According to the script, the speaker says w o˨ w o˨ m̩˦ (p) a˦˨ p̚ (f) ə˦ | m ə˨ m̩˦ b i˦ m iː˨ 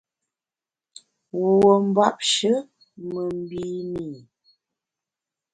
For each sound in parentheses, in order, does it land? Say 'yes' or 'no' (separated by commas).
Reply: no, no